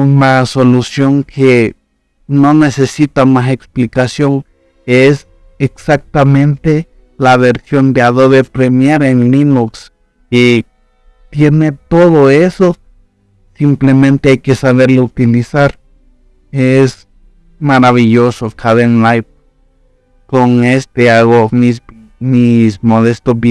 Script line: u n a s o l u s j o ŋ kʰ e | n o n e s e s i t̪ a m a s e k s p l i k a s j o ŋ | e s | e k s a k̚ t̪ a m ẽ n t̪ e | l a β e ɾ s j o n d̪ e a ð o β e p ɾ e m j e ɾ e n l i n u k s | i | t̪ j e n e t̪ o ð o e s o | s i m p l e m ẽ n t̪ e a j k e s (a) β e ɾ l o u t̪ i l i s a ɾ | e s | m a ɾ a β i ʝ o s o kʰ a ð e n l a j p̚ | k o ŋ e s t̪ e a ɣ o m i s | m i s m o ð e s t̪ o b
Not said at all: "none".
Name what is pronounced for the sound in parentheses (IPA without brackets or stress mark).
a